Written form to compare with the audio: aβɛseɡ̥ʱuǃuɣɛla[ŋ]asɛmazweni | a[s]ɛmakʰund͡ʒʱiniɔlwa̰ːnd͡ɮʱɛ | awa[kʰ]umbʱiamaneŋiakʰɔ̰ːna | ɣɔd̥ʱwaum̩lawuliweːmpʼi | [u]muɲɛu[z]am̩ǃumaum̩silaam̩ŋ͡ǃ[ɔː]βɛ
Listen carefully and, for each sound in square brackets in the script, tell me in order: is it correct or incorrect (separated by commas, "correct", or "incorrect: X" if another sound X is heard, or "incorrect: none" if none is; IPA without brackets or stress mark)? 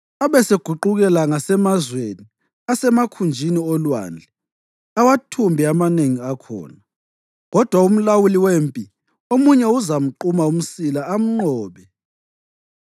correct, correct, incorrect: tʰ, incorrect: o, correct, correct